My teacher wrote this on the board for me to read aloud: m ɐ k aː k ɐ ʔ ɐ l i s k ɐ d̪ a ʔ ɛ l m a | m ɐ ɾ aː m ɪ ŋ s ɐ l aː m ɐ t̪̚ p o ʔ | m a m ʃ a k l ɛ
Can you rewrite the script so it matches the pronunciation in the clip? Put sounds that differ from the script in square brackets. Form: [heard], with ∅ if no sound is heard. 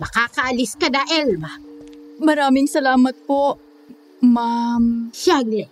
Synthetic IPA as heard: m ɐ k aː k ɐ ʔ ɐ l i s k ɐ d̪ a ʔ ɛ l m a | m ɐ ɾ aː m ɪ ŋ s ɐ l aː m ɐ t̪̚ p o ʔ | m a m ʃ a [ɡ] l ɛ